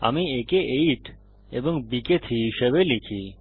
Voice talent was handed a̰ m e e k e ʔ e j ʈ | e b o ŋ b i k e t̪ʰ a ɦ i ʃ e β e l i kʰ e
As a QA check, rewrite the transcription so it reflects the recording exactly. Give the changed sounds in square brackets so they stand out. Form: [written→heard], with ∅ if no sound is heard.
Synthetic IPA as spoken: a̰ m [e→i] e k e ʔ e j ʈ | e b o ŋ b i k e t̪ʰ [a→i] ɦ i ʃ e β e l i kʰ [e→i]